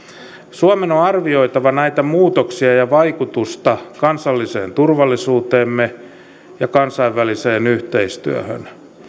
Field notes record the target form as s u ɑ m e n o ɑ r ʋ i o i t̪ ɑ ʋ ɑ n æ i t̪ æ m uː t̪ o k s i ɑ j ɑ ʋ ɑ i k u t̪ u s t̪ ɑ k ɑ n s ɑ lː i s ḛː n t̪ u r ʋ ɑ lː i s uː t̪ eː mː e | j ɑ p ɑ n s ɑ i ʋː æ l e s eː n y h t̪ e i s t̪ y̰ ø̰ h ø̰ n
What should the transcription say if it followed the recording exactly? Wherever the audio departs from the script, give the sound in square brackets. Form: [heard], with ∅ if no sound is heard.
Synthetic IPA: s u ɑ m e n o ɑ r ʋ i o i t̪ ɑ ʋ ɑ n æ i t̪ æ m uː t̪ o k s i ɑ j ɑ ʋ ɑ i k u t̪ u s t̪ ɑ k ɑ n s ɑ lː i s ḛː n t̪ u r ʋ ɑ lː i s uː t̪ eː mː e | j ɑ [k] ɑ n s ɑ i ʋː æ l [i] s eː n y h t̪ e i s t̪ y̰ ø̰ h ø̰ n